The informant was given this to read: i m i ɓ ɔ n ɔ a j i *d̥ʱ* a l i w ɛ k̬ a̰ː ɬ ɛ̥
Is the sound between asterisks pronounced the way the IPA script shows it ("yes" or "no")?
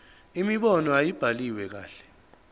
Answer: no